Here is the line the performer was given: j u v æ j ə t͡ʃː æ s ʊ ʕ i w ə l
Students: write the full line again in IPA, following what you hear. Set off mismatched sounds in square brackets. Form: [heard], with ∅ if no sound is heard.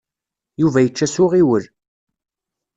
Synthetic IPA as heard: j u v æ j ə t͡ʃː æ s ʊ [ʁ] i w ə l